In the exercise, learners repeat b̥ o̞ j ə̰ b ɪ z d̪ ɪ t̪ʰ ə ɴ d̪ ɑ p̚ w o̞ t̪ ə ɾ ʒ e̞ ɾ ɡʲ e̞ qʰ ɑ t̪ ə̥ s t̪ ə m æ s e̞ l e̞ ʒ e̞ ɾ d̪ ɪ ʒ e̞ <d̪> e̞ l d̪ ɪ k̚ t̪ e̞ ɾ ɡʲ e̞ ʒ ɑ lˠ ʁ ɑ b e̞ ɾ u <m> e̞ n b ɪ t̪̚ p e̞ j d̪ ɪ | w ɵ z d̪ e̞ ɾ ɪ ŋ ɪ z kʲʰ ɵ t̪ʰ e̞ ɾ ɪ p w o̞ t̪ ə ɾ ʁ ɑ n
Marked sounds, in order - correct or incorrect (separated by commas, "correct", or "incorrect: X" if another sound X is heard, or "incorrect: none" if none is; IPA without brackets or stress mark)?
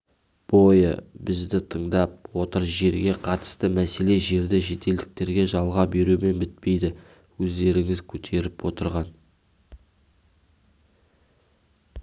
incorrect: t̪, correct